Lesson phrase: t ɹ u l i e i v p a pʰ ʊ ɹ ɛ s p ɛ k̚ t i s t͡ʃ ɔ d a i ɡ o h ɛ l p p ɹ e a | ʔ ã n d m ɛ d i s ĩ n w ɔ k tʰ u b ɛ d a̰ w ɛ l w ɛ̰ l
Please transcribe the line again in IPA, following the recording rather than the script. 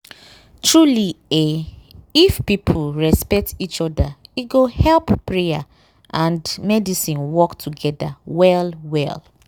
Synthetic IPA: t ɹ u l i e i f p i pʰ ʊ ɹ ɛ s p ɛ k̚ t i t͡ʃ ɔ d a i ɡ o h ɛ l p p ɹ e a | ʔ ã n d m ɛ d i s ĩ n w ɔ k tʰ u ɡ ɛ d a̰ w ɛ l w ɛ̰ l